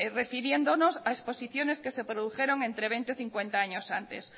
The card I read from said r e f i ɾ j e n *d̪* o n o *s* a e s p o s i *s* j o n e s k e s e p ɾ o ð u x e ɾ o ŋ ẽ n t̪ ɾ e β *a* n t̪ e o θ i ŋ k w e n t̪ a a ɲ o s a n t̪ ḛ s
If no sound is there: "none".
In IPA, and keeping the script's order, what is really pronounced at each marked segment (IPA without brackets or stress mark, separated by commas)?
d̪, s, θ, e